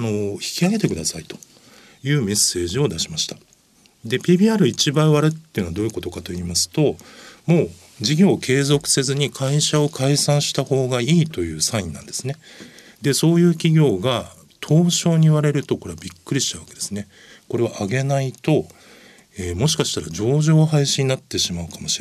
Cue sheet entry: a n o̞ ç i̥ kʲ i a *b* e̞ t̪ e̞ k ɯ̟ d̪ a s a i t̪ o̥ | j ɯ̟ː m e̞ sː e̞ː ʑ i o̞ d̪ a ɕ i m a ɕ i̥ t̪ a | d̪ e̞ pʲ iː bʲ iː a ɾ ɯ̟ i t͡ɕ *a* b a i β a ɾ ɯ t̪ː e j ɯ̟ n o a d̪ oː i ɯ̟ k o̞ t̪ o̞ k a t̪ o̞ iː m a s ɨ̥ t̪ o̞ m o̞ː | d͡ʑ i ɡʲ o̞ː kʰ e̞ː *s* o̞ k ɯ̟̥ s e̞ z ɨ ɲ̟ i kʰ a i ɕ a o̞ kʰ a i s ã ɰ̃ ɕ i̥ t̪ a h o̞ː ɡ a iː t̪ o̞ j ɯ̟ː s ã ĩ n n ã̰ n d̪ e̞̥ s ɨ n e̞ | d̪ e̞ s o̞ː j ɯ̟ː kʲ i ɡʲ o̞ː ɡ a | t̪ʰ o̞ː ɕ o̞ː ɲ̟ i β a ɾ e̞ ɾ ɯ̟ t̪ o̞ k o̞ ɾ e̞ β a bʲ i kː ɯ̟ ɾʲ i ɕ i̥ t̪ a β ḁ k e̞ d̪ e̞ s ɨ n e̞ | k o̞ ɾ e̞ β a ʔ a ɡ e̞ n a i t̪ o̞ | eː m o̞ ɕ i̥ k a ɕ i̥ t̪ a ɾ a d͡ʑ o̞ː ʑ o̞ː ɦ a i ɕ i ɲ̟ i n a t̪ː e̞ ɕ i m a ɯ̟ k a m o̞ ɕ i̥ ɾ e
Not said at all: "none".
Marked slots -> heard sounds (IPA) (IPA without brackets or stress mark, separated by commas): ɡ, i, z